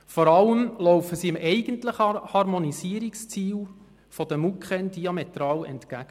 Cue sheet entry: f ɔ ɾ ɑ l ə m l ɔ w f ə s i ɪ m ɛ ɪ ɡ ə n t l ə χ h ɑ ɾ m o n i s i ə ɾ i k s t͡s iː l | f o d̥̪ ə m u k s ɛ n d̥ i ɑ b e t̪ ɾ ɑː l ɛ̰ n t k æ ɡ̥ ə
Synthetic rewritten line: f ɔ ɾ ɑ l ə m l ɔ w f ə s i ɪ m ɛ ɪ ɡ ə n t l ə χ h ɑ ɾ m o n i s i ə ɾ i k s t͡s iː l | f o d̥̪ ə m u k χ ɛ n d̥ i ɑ m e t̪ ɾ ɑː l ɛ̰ n t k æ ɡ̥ ə